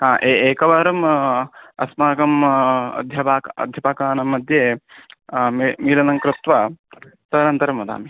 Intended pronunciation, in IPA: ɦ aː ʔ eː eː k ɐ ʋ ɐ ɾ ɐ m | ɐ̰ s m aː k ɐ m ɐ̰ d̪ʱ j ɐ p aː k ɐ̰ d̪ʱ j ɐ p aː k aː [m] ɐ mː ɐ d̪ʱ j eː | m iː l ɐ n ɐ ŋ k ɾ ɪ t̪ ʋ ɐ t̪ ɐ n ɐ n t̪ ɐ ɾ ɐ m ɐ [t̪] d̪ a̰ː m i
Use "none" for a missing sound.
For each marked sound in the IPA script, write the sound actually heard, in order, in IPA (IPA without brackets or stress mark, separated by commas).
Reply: n, none